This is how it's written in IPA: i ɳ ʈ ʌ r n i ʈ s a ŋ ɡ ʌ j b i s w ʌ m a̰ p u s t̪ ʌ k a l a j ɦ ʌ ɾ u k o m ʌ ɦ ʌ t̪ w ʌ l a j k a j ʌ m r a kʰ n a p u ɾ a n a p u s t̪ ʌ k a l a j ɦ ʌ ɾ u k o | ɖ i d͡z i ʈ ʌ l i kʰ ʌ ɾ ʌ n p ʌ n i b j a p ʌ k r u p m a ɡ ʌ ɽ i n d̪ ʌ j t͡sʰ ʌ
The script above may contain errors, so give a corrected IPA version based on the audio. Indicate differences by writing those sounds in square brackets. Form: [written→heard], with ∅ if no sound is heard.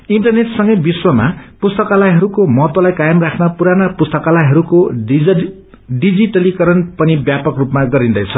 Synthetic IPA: i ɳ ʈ ʌ r n [i→e] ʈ s [a→ʌ] ŋ ɡ ʌ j b i s w ʌ m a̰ p u s t̪ ʌ k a l a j ɦ ʌ ɾ u k o m ʌ ɦ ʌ t̪ w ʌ l a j k a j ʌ m r a kʰ n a p u ɾ a n a p u s t̪ ʌ k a l a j ɦ ʌ ɾ u k o | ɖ i d͡z i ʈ ʌ l i [kʰ→k] ʌ ɾ ʌ n p ʌ n i b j a p ʌ k r u p m a ɡ ʌ [ɽ→ɾ] i n d̪ ʌ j t͡sʰ ʌ